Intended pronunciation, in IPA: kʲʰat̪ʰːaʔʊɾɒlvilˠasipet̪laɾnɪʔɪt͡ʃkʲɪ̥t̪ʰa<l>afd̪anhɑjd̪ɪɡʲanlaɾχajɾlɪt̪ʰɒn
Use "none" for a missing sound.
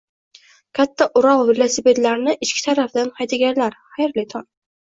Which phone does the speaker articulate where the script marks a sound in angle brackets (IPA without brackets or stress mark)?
ɾ